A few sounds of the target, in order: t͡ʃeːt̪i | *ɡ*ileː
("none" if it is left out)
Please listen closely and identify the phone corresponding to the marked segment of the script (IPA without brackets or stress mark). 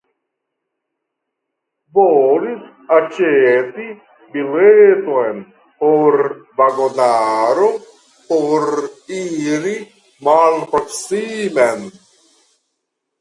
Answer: b